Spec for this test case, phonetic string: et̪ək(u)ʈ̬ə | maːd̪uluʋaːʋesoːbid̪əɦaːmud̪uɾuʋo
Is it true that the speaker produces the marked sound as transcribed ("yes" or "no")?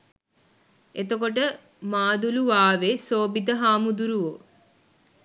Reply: no